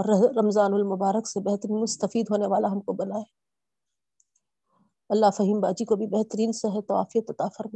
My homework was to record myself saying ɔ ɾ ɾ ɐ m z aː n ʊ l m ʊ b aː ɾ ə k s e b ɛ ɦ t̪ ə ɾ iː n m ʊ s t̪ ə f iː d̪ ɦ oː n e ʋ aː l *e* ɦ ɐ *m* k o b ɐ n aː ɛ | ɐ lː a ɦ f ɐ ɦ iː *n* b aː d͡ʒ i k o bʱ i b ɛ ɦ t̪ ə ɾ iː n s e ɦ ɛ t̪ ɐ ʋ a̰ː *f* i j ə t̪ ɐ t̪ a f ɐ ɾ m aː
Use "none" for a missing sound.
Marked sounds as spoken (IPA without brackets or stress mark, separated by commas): a, m, m, f